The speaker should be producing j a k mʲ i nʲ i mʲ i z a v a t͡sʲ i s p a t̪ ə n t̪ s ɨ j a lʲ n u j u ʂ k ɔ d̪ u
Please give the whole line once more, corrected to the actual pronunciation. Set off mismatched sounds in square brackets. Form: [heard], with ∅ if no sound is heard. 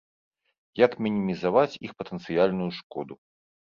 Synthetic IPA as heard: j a k mʲ i nʲ i mʲ i z a v a t͡sʲ i [x] p [ɐ] t̪ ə n t̪ s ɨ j a lʲ n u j u ʂ k ɔ d̪ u

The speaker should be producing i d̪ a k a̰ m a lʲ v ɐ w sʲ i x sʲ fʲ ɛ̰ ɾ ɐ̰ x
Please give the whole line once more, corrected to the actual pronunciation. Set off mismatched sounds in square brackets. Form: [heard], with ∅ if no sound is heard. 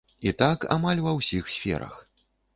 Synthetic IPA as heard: i [t̪] a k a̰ m a lʲ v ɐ w sʲ i x sʲ fʲ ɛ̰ ɾ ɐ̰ x

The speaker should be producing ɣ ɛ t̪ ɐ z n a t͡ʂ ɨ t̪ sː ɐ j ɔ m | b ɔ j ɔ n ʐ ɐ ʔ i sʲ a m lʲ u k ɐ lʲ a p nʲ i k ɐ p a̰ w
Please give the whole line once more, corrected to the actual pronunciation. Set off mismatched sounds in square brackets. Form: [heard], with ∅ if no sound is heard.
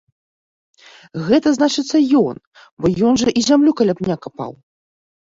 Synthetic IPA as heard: ɣ ɛ t̪ ɐ z n a t͡ʂ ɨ t̪ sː ɐ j ɔ [n] | b ɔ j ɔ n ʐ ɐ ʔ i [zʲ] a m lʲ u k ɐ lʲ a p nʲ [a] k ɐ p a̰ w

